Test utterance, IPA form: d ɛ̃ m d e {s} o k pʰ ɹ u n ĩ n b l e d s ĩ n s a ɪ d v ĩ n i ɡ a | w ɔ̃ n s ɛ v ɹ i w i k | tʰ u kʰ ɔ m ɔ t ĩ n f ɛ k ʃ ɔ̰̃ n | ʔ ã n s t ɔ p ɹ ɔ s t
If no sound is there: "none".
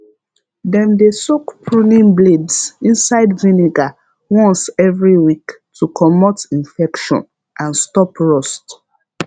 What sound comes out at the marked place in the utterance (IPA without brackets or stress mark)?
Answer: s